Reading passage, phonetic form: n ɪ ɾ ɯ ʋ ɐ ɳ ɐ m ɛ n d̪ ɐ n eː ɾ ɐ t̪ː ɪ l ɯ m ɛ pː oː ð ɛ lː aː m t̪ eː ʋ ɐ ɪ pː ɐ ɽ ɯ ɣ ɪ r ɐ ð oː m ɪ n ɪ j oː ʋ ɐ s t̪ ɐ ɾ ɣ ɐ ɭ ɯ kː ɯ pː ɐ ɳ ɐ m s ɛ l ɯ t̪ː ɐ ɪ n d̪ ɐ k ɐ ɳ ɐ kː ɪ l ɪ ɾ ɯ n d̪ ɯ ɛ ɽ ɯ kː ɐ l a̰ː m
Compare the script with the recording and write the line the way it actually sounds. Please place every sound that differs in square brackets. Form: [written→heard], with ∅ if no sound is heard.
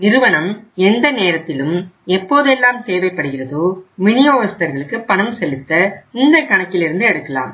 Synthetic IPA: n ɪ ɾ ɯ ʋ ɐ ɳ ɐ m ɛ n d̪ ɐ n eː ɾ ɐ t̪ː ɪ l ɯ m ɛ pː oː ð ɛ lː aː m t̪ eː ʋ ɐ ɪ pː ɐ ɽ ɯ ɣ ɪ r ɐ ð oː m ɪ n ɪ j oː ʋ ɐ s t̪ ɐ ɾ ɣ ɐ ɭ ɯ kː ɯ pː ɐ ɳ ɐ m s ɛ l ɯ t̪ː ɐ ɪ n d̪ ɐ k ɐ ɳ ɐ kː ɪ l ɪ ɾ ɯ n d̪ ɯ ɛ ɽ ɯ kː ɐ l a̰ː m